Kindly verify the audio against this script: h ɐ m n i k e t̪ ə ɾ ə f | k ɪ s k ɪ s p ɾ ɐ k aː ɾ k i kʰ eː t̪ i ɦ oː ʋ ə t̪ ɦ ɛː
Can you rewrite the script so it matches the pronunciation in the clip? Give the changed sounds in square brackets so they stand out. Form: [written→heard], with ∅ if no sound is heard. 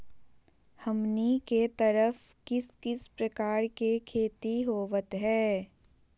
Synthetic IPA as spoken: h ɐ m n i k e t̪ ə ɾ ə f | k ɪ s k ɪ s p ɾ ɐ k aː ɾ k [i→e] kʰ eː t̪ i ɦ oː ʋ ə t̪ ɦ ɛː